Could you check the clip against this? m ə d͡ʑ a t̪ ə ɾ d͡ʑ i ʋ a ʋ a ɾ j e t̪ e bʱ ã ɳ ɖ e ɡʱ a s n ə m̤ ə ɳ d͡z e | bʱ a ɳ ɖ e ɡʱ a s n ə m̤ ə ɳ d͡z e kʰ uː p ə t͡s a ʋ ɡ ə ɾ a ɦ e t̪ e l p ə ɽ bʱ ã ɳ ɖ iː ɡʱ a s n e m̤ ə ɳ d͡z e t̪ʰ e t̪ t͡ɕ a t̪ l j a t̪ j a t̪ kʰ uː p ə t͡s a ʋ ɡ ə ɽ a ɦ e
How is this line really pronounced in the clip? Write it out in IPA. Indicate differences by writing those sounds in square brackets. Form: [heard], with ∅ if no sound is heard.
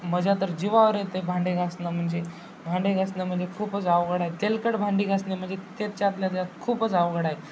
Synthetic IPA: m ə d͡ʑ a t̪ ə ɾ d͡ʑ i ʋ a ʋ [ə] ɾ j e t̪ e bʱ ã ɳ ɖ e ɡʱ a s n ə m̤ ə ɳ d͡z e | bʱ a ɳ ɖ e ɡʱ a s n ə m̤ ə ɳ d͡z e kʰ uː p ə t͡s a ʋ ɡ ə [ɽ] a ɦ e t̪ e l [k] ə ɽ bʱ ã ɳ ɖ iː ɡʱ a s n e m̤ ə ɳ d͡z e [t̪] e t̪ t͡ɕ a t̪ l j a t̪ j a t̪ kʰ uː p ə t͡s a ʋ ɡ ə ɽ a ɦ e

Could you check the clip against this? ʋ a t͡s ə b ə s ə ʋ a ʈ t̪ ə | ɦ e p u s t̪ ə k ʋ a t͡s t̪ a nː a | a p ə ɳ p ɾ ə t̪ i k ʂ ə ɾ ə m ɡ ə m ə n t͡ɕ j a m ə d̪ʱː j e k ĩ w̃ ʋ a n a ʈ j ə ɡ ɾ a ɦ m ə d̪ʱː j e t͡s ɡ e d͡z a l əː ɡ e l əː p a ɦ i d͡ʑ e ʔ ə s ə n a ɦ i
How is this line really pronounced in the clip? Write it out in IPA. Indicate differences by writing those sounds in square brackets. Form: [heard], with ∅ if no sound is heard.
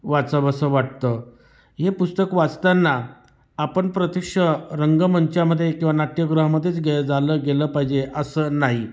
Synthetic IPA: ʋ a t͡s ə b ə s ə ʋ a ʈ t̪ ə | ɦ e p u s t̪ ə k ʋ a t͡s t̪ a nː a | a p ə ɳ p ɾ ə t̪ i k ʂ ə ɾ ə [ŋ] ɡ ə m ə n t͡ɕ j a m ə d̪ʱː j e k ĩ w̃ ʋ a n a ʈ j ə ɡ ɾ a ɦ m ə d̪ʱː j e t͡s ɡ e d͡z a l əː ɡ e l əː p a ɦ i d͡ʑ e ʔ ə s ə n a ɦ i

